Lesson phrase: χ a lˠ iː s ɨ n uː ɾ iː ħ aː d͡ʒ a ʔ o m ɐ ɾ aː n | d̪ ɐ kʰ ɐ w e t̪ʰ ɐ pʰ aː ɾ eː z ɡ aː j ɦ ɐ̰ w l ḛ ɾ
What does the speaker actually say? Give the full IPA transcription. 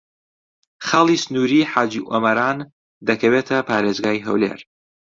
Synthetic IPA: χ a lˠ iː s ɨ n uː ɾ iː ħ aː d͡ʒ i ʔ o m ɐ ɾ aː n | d̪ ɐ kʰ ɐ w e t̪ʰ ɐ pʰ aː ɾ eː z ɡ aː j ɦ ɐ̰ w l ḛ ɾ